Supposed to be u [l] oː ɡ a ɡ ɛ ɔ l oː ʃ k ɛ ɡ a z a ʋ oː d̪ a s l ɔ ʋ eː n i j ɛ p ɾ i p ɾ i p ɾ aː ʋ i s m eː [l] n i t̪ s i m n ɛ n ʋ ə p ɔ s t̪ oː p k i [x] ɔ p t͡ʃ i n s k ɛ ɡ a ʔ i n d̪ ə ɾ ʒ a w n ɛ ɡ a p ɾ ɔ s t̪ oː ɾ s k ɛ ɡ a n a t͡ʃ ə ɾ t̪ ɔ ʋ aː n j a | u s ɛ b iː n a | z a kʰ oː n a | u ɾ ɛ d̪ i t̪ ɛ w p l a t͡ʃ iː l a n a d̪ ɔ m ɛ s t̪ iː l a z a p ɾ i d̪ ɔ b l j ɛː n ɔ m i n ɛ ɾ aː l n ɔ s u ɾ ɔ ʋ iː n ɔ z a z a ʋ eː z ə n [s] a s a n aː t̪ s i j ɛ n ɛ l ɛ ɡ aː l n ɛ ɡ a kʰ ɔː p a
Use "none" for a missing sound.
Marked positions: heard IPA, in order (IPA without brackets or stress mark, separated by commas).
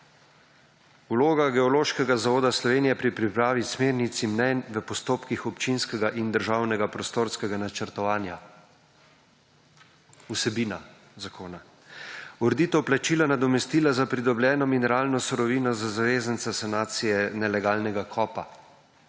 l, ɾ, x, s